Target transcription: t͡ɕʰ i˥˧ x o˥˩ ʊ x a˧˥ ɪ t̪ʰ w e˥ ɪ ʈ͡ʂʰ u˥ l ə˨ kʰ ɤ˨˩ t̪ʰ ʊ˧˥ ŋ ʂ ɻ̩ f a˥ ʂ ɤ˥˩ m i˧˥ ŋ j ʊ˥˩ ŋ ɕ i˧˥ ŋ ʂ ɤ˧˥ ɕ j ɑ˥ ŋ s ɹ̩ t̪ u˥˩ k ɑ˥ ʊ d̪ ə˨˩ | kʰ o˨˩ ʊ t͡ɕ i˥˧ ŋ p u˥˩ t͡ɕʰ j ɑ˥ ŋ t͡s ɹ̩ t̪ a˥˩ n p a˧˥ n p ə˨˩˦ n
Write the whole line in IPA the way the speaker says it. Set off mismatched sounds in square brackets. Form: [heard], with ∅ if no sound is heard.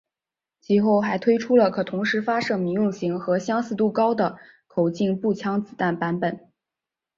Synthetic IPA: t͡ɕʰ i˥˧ x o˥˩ ʊ x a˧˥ ɪ t̪ʰ w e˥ ɪ ʈ͡ʂʰ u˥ l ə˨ kʰ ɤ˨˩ t̪ʰ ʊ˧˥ ŋ ʂ ɻ̩ f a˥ ʂ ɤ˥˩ m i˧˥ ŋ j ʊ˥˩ ŋ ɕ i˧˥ ŋ [x] ɤ˧˥ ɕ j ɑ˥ ŋ s ɹ̩ t̪ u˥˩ k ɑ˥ ʊ d̪ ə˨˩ | kʰ o˨˩ ʊ t͡ɕ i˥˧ ŋ p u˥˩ t͡ɕʰ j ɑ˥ ŋ t͡s ɹ̩ t̪ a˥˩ n p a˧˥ n p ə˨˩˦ n